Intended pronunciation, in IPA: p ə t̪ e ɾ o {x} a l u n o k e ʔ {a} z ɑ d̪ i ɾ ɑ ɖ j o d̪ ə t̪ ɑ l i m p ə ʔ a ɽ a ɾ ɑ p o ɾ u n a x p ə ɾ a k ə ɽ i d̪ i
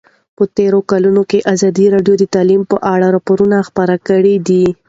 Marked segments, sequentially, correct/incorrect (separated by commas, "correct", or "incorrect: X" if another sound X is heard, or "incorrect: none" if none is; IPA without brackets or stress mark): incorrect: k, correct